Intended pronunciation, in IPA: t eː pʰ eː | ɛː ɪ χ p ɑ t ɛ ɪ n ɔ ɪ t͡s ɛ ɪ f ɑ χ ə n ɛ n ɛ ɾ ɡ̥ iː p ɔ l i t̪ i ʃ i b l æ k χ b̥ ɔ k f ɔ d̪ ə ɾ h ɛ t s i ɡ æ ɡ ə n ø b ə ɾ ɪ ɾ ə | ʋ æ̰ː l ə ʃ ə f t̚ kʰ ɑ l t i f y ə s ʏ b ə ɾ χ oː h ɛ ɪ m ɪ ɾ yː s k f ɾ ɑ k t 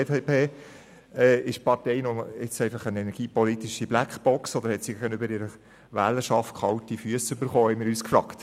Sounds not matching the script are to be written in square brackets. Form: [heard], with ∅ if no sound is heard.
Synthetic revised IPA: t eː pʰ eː | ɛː ɪ [ʃ] p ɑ t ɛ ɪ n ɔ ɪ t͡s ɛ ɪ f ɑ χ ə n ɛ n ɛ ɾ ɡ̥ iː p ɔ l i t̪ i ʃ i b l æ k χ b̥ ɔ k [s] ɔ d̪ ə ɾ h ɛ t s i ɡ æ ɡ ə n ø b ə ɾ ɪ ɾ ə | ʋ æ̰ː l ə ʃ [ɑ] f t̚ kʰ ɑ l t i f y ə s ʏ b ə ɾ χ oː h ɛ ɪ m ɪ ɾ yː s k f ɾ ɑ k t